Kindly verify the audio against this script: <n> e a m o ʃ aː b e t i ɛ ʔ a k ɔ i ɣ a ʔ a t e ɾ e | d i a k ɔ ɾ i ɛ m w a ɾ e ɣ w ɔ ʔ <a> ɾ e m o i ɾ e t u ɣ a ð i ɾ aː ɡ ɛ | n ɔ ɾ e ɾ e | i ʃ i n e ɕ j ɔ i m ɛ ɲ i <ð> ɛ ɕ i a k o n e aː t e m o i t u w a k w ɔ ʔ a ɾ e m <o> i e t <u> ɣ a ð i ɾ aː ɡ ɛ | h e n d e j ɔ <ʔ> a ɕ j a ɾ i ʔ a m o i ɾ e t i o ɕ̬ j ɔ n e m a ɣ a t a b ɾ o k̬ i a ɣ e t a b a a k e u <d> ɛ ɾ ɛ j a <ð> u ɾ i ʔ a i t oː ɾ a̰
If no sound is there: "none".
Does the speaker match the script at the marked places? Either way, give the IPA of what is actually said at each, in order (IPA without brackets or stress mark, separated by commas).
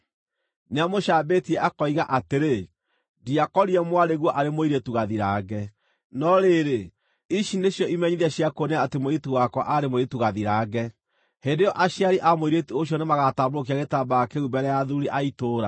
n, a, ð, o, u, ʔ, b, ð